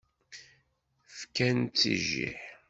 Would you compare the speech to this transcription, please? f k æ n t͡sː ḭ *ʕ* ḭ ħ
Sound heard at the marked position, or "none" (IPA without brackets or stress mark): ʒ